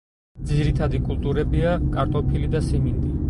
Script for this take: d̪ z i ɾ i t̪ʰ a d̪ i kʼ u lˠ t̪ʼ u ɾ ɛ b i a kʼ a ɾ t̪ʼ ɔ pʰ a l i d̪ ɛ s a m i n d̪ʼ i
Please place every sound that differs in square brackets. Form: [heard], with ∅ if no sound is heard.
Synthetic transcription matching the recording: d̪ z i ɾ i t̪ʰ a d̪ i kʼ u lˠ t̪ʼ u ɾ ɛ b i a kʼ a ɾ t̪ʼ ɔ pʰ [i] l i d̪ [a] s [i] m i n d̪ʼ i